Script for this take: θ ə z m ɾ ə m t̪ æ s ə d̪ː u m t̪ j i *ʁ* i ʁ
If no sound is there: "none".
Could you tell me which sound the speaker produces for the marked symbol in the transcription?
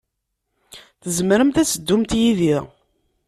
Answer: ð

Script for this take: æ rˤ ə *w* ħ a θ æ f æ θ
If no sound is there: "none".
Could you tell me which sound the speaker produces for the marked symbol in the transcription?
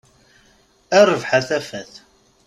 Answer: v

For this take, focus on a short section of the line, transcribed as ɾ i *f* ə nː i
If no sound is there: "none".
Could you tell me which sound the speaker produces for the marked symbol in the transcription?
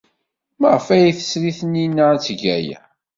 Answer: θ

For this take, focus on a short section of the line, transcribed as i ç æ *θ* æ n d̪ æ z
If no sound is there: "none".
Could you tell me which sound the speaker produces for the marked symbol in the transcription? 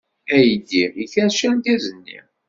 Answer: ʃ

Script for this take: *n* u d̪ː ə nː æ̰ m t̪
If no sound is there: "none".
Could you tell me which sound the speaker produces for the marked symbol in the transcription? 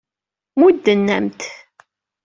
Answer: m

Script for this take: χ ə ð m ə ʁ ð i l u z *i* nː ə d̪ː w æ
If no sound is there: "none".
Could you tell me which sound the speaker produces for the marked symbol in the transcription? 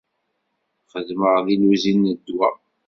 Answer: i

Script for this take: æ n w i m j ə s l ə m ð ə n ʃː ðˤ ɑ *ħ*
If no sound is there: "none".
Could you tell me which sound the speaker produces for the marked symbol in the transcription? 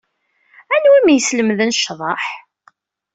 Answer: ħ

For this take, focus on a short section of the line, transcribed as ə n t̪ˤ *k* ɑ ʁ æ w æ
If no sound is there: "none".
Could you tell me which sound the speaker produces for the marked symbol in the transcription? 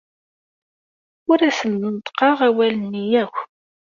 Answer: q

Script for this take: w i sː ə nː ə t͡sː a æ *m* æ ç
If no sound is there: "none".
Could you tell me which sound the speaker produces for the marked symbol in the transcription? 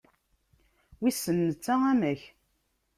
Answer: m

